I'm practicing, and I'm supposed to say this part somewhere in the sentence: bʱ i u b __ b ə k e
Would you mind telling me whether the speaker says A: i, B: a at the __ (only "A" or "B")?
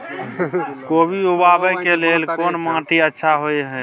B